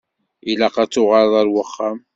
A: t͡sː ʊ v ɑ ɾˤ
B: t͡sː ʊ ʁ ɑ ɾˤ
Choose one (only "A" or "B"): B